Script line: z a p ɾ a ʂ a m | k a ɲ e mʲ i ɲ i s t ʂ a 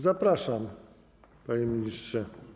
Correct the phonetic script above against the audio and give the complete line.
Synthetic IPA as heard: z a p ɾ a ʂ a m | p a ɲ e mʲ i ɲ i s t ʂ ɛ